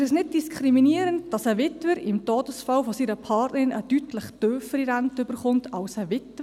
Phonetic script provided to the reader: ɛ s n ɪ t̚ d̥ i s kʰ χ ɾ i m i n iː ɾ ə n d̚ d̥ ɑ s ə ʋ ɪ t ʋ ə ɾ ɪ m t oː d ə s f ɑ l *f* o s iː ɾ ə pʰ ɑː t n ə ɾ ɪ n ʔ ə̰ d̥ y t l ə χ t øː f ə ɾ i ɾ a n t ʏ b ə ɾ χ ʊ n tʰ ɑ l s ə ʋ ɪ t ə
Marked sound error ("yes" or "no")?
no